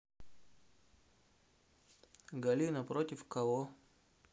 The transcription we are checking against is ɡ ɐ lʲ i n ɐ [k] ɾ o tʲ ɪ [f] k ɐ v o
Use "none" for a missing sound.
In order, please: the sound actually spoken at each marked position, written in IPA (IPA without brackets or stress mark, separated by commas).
p, f